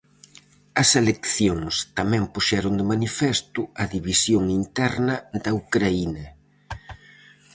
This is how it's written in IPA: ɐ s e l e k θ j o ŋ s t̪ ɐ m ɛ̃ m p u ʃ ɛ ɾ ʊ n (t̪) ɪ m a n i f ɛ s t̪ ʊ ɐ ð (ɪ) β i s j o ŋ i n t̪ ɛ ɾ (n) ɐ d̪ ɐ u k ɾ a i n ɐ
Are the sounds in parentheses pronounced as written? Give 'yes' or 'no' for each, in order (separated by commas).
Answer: no, no, yes